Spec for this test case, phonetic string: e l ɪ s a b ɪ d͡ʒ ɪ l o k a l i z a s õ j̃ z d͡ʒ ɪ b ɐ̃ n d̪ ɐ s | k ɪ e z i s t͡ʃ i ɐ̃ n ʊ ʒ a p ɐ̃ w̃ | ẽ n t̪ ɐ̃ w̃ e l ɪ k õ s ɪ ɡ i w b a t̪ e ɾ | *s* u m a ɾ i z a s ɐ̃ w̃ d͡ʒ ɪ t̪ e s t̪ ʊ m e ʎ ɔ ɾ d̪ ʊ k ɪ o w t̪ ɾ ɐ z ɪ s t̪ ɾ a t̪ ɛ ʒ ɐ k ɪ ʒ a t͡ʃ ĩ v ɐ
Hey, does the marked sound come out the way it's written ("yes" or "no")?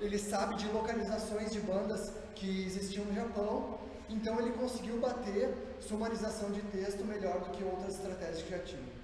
yes